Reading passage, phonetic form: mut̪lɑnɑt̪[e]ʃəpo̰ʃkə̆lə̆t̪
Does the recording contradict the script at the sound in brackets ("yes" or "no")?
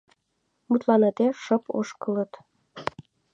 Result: no